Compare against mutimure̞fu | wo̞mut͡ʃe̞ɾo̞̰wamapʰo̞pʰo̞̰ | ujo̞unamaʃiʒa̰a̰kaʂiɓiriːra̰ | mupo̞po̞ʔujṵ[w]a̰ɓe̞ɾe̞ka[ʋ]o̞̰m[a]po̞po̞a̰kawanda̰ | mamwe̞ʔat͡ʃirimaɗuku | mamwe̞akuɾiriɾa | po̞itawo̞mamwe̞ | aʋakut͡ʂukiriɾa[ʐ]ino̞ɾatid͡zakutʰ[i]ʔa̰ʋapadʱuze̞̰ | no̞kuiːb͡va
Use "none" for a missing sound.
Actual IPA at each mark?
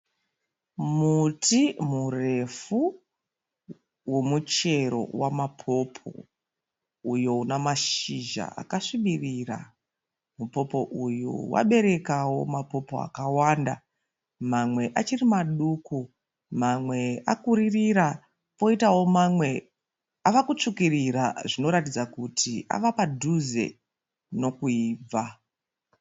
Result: w, w, a, ʐ, i

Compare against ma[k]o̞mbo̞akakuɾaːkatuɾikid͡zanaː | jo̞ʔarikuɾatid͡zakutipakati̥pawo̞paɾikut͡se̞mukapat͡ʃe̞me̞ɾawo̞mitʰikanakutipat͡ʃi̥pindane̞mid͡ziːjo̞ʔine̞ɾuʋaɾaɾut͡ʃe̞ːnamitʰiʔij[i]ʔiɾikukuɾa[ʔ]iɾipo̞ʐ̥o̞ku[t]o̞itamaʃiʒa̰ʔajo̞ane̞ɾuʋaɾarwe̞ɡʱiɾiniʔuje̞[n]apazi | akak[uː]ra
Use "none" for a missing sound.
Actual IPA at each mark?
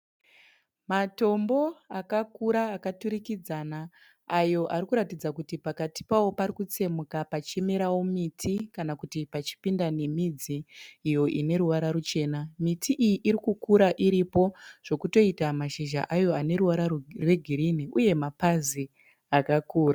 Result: t, i, ʔ, t, m, uː

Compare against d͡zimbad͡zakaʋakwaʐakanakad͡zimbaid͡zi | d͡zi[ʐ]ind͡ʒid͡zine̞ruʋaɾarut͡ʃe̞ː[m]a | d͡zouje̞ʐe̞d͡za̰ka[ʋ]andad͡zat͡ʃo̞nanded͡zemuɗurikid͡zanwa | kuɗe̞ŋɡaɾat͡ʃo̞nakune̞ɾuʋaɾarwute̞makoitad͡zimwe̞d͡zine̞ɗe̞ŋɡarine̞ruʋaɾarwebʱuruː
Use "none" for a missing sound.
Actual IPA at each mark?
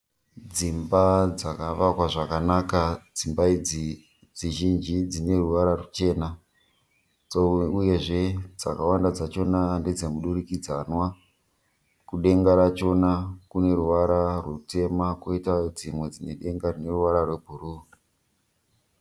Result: ʒ, n, w

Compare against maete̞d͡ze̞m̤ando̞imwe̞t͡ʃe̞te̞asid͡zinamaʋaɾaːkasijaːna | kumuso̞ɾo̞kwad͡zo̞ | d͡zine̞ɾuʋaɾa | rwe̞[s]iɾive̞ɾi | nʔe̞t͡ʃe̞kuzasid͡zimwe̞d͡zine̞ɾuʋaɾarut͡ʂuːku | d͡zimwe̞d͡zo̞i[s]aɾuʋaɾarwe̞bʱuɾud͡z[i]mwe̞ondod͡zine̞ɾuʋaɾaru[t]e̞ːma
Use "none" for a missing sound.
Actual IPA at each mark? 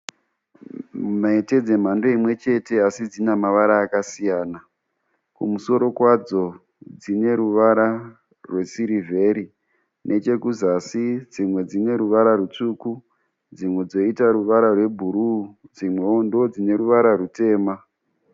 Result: s, t, i, t

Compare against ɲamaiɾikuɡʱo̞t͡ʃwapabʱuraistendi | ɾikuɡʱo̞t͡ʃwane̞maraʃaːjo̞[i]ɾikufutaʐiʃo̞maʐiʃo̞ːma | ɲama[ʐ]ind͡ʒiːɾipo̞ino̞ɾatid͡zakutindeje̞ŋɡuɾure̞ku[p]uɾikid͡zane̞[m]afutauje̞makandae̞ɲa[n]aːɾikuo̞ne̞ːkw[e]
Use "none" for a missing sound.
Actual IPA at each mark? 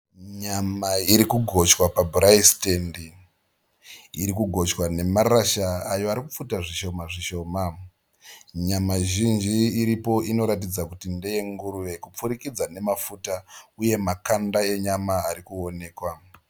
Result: a, ʒ, p͡f, m, m, a

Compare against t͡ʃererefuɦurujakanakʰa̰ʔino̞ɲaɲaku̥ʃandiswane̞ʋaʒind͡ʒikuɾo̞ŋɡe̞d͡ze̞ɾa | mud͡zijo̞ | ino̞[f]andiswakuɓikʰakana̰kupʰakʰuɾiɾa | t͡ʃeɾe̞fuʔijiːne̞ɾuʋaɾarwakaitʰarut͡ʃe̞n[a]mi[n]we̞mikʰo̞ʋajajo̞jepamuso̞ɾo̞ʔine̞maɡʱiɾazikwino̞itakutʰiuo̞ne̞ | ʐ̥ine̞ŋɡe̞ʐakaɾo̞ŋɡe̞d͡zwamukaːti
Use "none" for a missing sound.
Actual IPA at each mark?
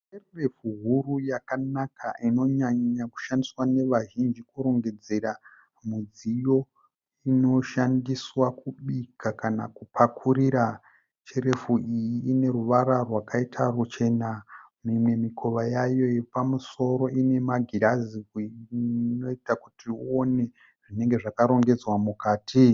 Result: ʃ, a, m

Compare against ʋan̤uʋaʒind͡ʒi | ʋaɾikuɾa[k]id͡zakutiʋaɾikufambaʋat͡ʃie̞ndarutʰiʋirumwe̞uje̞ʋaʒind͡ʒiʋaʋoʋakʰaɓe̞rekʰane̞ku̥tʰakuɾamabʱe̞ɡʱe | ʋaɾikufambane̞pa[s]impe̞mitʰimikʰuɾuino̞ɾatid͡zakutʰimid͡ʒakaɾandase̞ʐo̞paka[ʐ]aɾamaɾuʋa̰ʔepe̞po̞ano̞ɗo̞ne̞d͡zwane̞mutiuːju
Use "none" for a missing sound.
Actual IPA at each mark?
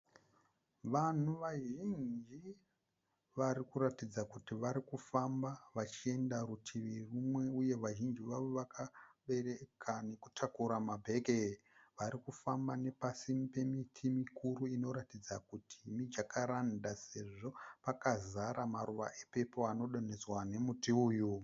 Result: t, s, z

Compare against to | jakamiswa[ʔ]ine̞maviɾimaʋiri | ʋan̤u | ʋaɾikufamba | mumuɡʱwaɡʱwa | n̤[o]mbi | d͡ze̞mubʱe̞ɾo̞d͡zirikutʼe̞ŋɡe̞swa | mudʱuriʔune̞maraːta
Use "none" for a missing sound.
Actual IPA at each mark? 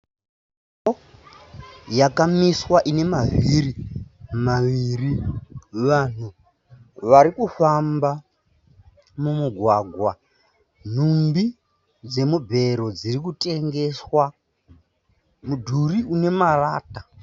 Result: ʔ, u

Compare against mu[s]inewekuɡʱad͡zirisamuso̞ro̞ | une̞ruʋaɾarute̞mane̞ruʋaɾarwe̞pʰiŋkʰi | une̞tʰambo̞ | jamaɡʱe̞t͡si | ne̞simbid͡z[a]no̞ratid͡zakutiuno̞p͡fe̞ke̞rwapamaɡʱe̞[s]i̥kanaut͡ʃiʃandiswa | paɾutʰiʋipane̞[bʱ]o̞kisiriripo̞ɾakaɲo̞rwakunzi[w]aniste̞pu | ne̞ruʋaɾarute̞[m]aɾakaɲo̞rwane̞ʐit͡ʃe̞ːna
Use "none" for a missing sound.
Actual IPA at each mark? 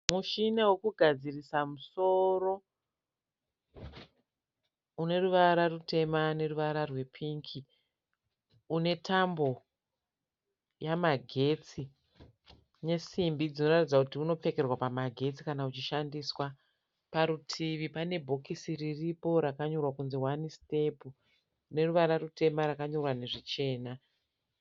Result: ʃ, i, t͡s, bʱ, w, m

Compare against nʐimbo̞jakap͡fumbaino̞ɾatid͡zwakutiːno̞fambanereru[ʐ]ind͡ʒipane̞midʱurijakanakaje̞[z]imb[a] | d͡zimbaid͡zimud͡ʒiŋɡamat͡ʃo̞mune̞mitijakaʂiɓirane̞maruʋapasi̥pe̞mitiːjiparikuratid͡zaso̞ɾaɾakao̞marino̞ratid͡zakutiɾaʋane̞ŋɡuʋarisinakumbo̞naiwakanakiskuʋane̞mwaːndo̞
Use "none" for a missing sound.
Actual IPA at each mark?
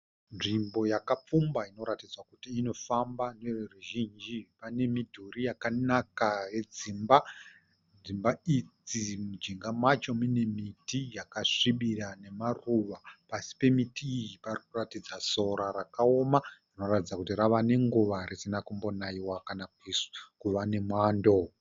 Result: ʒ, d͡z, a

